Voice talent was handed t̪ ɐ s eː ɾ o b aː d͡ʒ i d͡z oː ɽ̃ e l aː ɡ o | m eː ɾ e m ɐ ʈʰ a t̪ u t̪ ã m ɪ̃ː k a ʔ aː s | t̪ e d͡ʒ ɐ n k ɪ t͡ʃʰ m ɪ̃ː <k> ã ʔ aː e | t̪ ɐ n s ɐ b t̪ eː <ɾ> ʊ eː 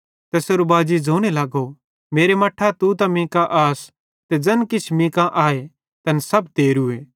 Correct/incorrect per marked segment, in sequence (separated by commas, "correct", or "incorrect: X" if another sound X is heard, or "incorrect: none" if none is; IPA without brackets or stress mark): correct, correct